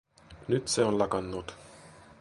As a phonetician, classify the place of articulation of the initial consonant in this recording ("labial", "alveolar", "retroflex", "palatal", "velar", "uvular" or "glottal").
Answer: alveolar